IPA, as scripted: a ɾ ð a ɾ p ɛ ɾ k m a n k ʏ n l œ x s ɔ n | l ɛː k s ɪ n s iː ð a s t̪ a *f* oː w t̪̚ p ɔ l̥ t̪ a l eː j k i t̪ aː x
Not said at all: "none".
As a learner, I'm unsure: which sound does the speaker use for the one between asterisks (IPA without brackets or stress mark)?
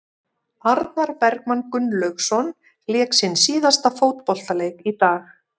f